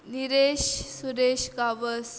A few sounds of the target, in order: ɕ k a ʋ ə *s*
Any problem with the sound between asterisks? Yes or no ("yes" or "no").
no